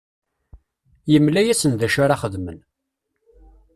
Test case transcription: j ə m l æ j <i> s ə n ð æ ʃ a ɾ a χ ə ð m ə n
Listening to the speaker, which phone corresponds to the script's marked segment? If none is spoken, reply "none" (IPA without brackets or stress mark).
æ